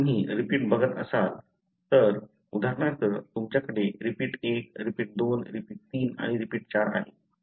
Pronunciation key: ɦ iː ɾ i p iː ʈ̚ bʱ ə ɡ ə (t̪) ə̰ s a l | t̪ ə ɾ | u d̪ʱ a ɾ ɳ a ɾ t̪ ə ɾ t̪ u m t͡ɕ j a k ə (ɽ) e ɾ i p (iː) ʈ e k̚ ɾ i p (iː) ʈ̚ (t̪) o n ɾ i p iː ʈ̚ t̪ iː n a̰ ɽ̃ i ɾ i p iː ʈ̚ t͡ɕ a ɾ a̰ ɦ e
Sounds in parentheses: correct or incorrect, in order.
correct, correct, correct, correct, incorrect: d̪

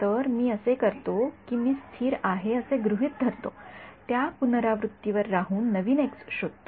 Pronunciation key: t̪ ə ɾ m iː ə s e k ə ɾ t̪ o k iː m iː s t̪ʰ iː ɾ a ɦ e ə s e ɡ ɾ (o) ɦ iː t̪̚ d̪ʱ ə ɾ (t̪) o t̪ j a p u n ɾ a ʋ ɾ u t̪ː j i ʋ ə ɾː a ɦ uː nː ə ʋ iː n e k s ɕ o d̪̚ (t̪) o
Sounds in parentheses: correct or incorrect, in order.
incorrect: u, correct, correct

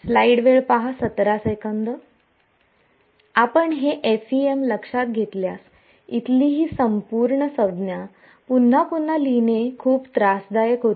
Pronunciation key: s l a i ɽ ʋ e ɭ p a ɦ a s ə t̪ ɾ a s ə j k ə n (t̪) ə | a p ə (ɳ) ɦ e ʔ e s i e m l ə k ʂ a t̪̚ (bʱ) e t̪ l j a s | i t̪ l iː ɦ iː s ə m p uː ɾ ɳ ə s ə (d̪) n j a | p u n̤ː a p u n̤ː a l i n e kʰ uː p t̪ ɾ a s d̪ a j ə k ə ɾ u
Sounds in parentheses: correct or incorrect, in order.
incorrect: d̪, correct, incorrect: ɡʱ, correct

